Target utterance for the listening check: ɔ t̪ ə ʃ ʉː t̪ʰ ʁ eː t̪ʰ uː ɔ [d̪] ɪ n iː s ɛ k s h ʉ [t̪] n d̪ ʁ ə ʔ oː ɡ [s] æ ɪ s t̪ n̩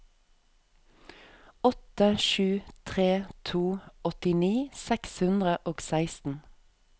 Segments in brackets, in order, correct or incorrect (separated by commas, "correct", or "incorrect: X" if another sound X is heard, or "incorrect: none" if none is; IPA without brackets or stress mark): incorrect: t̪, incorrect: none, correct